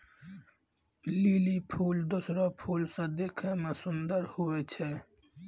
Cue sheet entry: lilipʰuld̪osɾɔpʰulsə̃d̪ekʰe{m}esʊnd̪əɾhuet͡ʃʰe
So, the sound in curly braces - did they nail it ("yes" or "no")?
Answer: yes